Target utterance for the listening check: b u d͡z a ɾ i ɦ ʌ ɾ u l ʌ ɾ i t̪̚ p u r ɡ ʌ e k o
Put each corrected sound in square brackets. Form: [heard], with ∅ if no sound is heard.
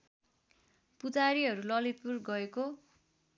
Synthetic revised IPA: [p] u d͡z a ɾ i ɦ ʌ ɾ u l ʌ [l] i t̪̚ p u r ɡ ʌ e k o